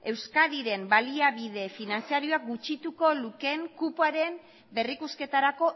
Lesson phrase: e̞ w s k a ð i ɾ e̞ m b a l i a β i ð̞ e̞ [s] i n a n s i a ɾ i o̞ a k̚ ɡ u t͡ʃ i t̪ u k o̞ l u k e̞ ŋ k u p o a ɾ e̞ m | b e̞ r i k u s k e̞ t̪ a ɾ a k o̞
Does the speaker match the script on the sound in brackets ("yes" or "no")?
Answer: no